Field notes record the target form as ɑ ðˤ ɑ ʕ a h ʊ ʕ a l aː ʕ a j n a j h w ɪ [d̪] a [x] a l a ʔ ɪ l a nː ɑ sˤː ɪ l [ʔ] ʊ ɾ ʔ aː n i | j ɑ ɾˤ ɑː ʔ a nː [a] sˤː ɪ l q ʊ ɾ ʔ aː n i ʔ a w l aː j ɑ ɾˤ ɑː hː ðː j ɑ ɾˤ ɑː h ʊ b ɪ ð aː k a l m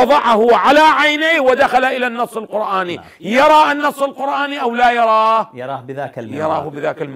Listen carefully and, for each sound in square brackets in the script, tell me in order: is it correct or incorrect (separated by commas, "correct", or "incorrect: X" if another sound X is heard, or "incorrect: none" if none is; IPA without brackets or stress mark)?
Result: correct, correct, incorrect: q, incorrect: ɑ